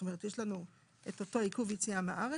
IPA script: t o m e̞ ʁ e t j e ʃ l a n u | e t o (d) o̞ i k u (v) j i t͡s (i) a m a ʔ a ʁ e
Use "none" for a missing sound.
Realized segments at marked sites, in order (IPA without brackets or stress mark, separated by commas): t, v, i